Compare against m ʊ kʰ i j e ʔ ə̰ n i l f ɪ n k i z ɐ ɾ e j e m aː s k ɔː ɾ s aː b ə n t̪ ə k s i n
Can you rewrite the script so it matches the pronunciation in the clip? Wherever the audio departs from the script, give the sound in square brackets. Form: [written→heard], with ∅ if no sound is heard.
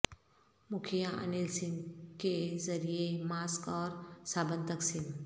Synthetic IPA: m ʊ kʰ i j [e→a] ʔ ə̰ n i l [f→s] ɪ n k [i→e] z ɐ ɾ [e→i] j e m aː s k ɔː ɾ s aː b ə n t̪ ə k s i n